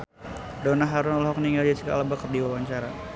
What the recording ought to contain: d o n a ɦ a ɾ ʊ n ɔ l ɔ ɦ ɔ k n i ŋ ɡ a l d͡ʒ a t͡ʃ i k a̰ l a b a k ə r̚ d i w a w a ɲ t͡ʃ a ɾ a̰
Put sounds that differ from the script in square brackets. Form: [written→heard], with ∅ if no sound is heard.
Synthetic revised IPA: d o n a ɦ a ɾ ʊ n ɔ l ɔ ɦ ɔ k n i ŋ ɡ a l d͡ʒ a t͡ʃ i k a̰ l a b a k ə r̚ d i w a w a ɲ t͡ʃ a ɾ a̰